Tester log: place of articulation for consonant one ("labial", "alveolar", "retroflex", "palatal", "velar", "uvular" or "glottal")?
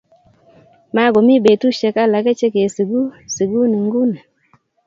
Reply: labial